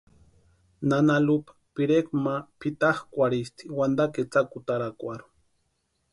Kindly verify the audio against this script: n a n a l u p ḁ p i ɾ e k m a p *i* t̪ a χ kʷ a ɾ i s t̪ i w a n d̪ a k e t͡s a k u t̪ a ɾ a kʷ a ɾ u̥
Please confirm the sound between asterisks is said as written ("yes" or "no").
yes